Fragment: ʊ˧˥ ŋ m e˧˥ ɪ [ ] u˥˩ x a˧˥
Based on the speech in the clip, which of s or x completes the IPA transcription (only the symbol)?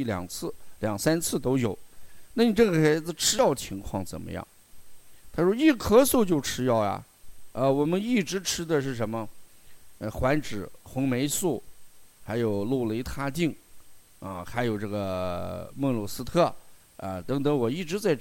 s